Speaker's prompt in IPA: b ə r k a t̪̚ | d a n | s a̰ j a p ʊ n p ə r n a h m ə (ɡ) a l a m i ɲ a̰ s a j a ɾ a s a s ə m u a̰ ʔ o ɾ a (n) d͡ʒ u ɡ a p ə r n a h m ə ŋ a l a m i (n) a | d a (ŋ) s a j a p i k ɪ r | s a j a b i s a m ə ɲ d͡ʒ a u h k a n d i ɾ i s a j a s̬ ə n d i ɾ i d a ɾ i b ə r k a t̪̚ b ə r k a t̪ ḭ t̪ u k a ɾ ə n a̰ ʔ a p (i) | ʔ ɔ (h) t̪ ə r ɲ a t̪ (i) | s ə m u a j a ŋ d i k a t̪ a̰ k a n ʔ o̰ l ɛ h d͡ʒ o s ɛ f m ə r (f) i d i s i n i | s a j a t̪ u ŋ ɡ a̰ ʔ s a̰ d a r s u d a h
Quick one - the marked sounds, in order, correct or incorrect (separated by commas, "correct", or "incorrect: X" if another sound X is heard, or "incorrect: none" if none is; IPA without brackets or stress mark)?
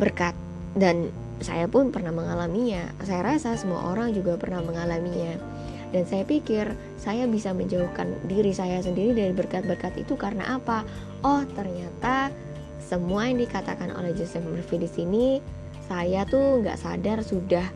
incorrect: ŋ, incorrect: ŋ, incorrect: ɲ, incorrect: n, incorrect: a, correct, incorrect: a, correct